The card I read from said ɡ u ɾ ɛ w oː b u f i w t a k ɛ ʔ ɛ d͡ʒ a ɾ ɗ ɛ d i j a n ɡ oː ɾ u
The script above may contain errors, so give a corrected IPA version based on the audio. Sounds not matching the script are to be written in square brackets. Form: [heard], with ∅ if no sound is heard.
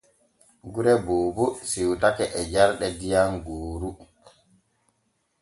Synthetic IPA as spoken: ɡ u ɾ ɛ [b] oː b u [s] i w t a k ɛ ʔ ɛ d͡ʒ a ɾ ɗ ɛ d i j a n ɡ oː ɾ u